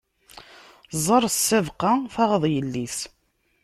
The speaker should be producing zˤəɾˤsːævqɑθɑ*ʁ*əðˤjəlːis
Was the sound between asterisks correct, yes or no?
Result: yes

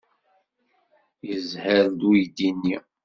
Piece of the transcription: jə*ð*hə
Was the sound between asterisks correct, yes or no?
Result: no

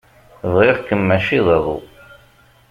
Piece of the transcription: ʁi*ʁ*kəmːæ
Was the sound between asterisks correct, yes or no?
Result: yes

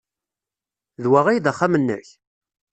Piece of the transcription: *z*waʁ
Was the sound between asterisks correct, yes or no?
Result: no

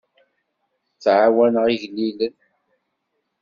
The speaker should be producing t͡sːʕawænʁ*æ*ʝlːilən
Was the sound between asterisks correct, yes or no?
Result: no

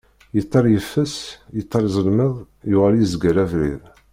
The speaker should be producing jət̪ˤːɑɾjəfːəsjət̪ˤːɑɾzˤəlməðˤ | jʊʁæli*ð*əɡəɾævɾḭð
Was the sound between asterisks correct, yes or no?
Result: no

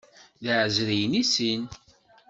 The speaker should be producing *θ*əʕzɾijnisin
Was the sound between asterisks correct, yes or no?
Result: no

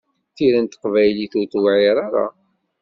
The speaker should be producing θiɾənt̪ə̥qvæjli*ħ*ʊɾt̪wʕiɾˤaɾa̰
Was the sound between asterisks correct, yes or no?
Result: no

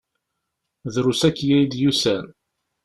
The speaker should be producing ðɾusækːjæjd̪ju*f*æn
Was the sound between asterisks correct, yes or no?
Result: no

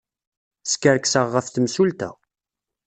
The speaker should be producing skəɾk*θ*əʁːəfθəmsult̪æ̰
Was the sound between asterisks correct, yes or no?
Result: no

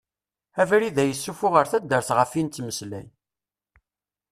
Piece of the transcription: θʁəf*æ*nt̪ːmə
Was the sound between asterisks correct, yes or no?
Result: no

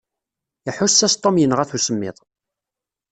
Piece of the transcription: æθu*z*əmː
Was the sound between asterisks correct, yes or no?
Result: no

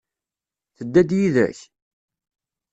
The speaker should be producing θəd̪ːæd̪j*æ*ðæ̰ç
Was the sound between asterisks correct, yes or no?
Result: no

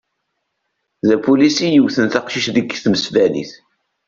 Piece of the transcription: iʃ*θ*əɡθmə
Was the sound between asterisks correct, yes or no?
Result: no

